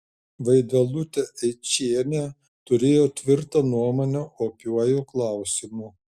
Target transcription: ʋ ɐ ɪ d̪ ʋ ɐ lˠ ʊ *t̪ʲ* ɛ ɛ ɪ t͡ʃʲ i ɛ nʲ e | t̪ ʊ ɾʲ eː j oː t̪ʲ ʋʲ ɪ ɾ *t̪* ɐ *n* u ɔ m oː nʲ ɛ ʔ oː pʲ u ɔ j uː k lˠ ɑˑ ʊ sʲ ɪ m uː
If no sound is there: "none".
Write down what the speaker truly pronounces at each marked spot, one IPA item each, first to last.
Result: t̪ʲ, t̪, n

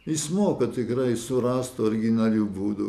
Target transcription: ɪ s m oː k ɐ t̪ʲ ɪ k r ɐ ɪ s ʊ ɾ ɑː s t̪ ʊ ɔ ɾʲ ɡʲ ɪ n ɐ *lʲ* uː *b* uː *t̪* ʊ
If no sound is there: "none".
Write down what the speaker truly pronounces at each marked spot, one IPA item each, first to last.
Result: lʲ, b, d̪

